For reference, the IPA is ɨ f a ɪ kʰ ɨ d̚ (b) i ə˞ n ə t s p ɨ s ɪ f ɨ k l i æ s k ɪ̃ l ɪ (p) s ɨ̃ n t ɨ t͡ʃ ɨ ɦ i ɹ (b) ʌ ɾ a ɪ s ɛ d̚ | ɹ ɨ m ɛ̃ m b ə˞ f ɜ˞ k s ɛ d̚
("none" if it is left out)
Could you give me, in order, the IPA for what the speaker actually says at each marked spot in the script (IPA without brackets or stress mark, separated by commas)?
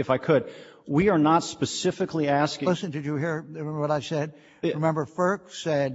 w, none, w